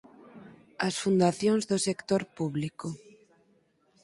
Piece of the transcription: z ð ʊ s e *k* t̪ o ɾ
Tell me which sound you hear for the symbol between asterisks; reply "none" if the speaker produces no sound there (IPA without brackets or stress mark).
k